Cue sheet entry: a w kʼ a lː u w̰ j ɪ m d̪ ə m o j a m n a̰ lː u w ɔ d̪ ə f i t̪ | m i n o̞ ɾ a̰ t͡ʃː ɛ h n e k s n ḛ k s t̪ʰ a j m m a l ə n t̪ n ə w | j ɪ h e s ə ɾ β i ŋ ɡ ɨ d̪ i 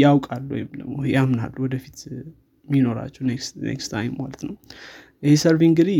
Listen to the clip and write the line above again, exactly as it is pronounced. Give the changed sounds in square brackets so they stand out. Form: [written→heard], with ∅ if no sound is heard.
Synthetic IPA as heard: a w kʼ a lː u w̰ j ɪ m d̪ ə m o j a m n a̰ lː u w ɔ d̪ ə f i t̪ | m i n o̞ ɾ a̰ t͡ʃː ɛ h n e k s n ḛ k s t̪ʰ a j m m a l ə [n→∅] t̪ n ə w | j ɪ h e s ə ɾ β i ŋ ɡ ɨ d̪ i